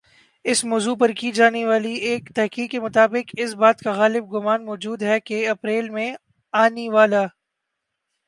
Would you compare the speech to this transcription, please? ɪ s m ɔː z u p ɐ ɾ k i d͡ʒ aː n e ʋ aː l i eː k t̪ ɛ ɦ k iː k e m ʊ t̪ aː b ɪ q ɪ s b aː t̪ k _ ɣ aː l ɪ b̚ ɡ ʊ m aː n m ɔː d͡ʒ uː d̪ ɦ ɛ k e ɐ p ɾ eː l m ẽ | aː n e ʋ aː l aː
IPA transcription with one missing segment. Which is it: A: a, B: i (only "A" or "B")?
A